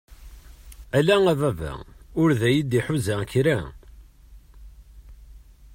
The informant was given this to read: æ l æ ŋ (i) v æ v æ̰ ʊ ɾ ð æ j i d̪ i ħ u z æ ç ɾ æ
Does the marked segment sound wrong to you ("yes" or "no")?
yes